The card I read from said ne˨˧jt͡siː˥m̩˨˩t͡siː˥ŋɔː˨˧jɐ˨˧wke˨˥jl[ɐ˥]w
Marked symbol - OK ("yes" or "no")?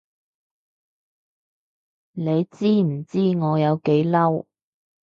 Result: yes